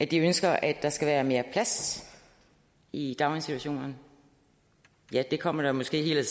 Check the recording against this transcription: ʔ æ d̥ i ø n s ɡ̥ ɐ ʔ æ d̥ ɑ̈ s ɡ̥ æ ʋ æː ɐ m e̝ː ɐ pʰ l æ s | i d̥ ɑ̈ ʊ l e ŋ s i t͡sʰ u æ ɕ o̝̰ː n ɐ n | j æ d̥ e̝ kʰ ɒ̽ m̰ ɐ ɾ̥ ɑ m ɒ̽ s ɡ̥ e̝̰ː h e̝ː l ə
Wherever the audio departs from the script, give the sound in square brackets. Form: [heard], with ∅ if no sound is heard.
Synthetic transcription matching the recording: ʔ æ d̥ i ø n s ɡ̥ ɐ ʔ æ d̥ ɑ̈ s ɡ̥ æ ʋ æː ɐ m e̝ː ɐ pʰ l æ s | i d̥ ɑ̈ ʊ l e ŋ s i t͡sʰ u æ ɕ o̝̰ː n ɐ n | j æ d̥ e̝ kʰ ɒ̽ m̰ ɐ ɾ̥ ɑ m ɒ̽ s ɡ̥ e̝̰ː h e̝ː l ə

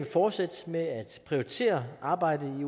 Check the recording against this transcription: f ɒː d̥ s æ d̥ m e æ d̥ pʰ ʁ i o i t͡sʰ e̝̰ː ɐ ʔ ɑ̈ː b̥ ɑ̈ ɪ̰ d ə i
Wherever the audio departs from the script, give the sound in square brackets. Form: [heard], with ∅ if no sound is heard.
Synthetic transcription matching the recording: f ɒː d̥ s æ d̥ m e æ d̥ pʰ ʁ i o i t͡sʰ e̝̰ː ɐ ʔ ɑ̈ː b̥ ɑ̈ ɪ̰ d ə i

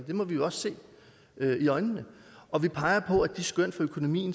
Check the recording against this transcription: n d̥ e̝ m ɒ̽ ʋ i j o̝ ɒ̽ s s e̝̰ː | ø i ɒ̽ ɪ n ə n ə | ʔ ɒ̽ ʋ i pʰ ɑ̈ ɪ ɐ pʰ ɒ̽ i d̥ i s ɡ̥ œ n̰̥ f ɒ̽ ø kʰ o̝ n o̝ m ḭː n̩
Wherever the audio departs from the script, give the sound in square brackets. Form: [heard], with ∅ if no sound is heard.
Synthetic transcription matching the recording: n d̥ e̝ m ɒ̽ ʋ i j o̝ ɒ̽ s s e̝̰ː | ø i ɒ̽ ɪ n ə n ə | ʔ ɒ̽ ʋ i pʰ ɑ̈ ɪ ɐ pʰ ɒ̽ [æ] d̥ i s ɡ̥ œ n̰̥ f ɒ̽ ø kʰ o̝ n o̝ m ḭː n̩

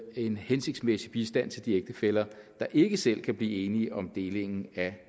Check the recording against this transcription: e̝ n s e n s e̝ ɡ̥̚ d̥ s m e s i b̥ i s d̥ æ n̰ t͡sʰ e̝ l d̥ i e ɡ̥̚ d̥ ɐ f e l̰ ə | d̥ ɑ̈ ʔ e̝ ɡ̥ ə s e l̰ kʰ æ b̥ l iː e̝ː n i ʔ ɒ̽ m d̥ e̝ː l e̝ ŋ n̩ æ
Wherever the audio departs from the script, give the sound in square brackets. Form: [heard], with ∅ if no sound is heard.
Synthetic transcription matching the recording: e̝ n [h] e n s e̝ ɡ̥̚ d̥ s m e s i b̥ i s d̥ æ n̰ t͡sʰ e̝ l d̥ i e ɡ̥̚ d̥ [ə] f e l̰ [ɐ] | d̥ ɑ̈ ʔ e̝ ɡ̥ ə s e l̰ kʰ æ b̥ l iː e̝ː n i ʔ ɒ̽ m d̥ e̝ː l e̝ ŋ n̩ æ

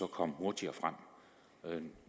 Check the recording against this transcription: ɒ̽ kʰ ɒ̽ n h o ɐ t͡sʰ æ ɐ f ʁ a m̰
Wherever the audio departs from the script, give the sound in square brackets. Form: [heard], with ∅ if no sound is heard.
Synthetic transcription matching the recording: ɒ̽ kʰ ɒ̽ [m] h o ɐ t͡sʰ [i] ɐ f ʁ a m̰

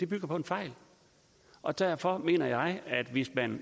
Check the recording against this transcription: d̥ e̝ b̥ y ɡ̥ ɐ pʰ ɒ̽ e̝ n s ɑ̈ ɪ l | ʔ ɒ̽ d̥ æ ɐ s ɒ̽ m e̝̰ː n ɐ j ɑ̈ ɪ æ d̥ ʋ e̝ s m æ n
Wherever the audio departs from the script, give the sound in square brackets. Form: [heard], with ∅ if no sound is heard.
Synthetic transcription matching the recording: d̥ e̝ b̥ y ɡ̥ ɐ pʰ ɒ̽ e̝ n [f] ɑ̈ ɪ l | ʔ ɒ̽ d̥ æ ɐ [f] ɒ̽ m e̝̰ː n ɐ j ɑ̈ ɪ æ d̥ ʋ e̝ s m æ n

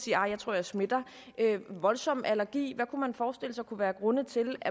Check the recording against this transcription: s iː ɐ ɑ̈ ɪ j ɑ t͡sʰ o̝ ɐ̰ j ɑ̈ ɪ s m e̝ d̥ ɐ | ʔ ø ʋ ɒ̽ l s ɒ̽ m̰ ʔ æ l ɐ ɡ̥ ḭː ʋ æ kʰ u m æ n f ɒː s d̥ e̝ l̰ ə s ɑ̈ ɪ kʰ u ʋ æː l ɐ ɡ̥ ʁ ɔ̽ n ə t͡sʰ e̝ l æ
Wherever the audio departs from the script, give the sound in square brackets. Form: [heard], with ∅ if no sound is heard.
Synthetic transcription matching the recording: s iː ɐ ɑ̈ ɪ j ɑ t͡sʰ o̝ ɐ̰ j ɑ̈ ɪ s m e̝ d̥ ɐ | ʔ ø ʋ ɒ̽ l s ɒ̽ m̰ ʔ æ l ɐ ɡ̥ ḭː ʋ æ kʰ u m æ n f ɒː s d̥ e̝ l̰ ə s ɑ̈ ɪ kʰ u ʋ æː [∅] ɐ ɡ̥ ʁ ɔ̽ n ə t͡sʰ e̝ l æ

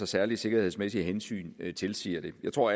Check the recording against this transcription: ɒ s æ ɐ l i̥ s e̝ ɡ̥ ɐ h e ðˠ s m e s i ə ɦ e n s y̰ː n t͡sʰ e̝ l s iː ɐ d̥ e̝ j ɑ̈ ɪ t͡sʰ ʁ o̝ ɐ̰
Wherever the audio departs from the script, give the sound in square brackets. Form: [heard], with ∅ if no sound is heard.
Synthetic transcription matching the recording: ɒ s æ ɐ l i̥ s e̝ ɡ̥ ɐ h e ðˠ s m e s i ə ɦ e n s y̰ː n t͡sʰ e̝ l s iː ɐ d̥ e̝ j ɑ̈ ɪ t͡sʰ ʁ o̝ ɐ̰

